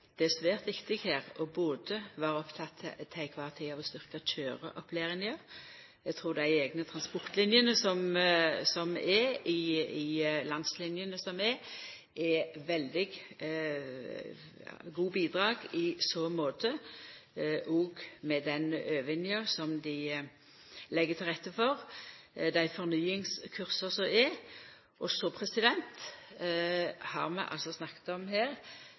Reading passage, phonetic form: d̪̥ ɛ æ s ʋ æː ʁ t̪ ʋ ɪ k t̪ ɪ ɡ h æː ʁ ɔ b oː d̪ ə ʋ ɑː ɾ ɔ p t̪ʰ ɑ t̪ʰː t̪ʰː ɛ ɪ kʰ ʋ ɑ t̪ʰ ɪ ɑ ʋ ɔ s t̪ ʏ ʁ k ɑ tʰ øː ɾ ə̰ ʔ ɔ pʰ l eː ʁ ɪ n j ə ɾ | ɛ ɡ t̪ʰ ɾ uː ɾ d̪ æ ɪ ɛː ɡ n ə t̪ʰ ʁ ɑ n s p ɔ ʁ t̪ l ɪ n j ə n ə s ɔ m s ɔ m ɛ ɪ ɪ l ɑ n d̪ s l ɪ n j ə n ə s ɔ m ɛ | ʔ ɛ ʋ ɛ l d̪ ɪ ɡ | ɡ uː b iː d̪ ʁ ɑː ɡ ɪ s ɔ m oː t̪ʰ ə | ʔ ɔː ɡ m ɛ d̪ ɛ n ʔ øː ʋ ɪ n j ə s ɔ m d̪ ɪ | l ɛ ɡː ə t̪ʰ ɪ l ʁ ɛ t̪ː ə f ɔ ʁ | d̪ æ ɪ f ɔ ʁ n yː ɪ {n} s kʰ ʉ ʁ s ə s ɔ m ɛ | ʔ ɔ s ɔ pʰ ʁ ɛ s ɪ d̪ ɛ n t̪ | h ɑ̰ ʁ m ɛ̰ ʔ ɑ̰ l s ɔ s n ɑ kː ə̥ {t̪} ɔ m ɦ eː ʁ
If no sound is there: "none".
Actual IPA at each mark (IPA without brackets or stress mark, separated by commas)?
ŋ, t̪